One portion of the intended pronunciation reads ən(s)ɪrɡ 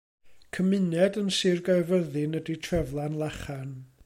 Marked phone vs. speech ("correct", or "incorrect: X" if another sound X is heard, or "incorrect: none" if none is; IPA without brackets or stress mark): correct